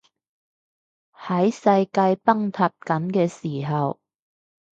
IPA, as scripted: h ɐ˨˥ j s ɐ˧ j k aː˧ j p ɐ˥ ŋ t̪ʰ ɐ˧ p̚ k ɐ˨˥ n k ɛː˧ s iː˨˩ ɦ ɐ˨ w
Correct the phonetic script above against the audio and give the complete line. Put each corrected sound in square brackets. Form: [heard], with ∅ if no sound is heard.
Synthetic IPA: h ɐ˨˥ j s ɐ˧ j k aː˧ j p ɐ˥ ŋ t̪ʰ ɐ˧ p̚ k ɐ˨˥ n k ɛː˧ s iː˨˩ ɦ ɐ˨ w